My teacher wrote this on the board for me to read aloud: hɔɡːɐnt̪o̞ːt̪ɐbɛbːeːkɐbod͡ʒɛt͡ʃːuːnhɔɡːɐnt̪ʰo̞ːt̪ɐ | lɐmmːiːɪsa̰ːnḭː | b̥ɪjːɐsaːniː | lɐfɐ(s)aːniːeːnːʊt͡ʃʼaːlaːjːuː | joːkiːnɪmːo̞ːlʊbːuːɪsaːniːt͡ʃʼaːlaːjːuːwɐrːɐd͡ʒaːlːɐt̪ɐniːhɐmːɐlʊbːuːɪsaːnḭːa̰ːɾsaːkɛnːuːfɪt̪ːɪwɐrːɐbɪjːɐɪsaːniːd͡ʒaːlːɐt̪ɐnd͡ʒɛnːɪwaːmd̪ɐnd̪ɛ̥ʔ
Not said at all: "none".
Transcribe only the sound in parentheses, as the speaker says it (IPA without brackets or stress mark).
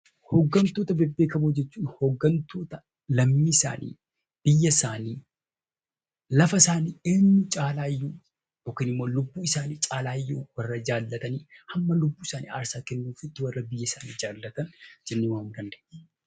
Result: s